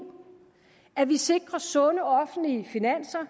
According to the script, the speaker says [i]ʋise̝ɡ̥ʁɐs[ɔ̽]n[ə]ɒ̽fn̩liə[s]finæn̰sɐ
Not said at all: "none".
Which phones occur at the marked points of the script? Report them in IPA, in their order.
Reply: æ, ɔ̽, ə, none

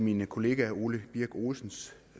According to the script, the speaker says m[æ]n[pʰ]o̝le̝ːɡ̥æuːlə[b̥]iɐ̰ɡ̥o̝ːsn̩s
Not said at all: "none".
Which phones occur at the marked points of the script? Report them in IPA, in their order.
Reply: i, kʰ, b̥

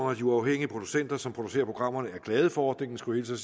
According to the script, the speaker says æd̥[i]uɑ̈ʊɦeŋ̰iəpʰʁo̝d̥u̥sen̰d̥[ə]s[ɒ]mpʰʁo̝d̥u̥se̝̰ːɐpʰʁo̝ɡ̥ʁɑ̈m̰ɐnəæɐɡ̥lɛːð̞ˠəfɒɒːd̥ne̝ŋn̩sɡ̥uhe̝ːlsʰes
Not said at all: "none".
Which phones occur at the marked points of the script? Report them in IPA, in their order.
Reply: i, ɐ, ɒ

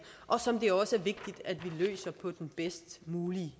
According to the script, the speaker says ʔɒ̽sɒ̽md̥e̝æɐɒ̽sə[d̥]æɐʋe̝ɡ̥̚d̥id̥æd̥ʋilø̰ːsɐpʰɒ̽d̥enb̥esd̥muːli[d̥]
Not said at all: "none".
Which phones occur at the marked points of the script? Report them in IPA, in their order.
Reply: none, none

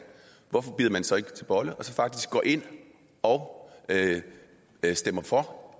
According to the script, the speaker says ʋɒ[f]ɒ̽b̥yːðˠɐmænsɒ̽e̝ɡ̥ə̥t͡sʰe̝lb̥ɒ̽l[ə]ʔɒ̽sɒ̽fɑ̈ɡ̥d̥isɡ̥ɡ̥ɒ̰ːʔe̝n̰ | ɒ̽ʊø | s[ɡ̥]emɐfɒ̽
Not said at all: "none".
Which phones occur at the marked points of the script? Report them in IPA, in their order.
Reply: f, ə, d̥

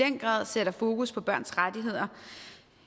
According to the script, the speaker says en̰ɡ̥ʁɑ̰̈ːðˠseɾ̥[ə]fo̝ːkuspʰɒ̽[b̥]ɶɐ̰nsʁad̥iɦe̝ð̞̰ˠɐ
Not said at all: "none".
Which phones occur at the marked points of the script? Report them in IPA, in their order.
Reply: ɐ, b̥

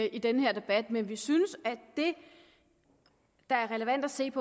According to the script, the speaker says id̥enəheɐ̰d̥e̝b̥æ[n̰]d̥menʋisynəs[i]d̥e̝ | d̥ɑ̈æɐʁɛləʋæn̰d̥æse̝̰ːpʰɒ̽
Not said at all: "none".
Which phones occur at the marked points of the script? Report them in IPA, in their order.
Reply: none, æ

